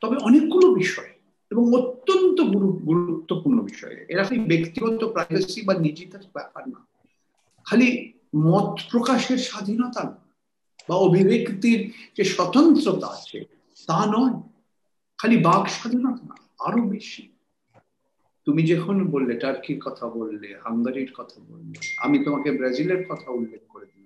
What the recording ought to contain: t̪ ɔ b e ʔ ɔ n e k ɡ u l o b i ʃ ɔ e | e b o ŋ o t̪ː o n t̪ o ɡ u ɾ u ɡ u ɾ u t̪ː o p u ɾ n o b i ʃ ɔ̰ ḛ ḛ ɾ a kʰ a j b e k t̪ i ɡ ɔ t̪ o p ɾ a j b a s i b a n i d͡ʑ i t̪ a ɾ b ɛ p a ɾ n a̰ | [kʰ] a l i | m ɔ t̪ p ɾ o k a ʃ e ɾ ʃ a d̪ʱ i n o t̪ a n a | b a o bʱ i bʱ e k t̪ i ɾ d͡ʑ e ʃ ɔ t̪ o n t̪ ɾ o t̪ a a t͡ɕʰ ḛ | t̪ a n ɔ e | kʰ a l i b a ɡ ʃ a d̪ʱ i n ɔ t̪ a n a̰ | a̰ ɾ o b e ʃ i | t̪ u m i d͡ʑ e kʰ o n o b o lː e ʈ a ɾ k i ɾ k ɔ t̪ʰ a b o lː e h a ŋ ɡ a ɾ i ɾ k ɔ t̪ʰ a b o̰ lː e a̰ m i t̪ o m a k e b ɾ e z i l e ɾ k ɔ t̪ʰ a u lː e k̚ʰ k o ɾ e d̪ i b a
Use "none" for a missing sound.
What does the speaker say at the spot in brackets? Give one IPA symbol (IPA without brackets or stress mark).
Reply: kʰ